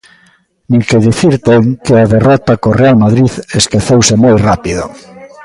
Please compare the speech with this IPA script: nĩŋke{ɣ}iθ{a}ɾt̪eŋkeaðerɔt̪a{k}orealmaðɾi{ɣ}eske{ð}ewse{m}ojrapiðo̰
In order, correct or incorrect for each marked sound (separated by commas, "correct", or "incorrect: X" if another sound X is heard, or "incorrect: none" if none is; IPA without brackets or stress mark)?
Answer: incorrect: ð, incorrect: i, correct, incorrect: ð, incorrect: θ, correct